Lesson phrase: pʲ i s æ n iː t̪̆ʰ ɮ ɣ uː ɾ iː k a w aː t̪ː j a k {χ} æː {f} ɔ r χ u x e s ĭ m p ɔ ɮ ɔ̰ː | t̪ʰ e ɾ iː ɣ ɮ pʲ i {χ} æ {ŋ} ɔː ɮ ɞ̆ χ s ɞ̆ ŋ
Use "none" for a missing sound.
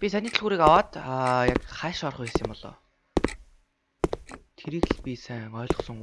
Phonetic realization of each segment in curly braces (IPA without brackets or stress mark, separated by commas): χ, ʃ, s, ŋ